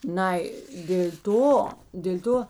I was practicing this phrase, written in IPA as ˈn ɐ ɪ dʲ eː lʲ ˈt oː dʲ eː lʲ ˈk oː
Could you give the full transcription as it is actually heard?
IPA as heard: ˈn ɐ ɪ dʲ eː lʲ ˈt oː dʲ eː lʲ ˈt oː